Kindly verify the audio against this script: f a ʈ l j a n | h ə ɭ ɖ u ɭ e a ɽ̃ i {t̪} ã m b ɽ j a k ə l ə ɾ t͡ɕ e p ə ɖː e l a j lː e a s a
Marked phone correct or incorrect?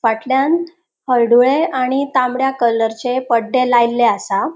correct